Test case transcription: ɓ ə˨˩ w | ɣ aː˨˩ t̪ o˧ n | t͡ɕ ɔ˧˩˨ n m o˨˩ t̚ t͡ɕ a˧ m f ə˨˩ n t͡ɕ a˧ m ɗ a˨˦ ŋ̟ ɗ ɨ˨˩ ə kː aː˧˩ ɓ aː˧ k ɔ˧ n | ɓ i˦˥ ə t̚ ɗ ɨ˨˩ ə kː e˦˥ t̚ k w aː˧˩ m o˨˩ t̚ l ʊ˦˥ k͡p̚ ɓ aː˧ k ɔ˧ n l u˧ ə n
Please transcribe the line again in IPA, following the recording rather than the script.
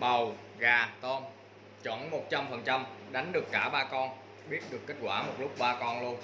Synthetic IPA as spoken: ɓ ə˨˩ w | ɣ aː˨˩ t̪ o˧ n | t͡ɕ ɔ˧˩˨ n m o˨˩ t̚ t͡ɕ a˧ m f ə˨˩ n t͡ɕ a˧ m ɗ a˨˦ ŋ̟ ɗ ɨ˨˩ ə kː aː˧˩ ɓ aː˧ k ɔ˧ n | ɓ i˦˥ ə t̚ ɗ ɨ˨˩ ə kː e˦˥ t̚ k w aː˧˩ m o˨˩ t̚ l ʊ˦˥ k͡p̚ ɓ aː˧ k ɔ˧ n l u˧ ə n